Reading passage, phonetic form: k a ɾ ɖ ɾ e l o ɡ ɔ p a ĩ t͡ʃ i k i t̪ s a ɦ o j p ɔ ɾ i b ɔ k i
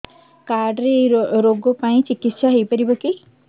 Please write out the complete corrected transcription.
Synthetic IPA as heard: k a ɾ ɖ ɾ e ɾ o ɡ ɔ p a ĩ t͡ʃ i k i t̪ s a ɦ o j p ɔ ɾ i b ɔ k i